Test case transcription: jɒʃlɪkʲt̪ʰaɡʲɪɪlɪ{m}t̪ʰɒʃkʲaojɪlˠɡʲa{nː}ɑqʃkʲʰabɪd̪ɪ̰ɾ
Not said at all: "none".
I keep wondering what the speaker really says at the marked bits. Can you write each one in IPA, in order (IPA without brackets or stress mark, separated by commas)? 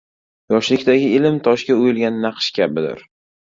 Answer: m, nː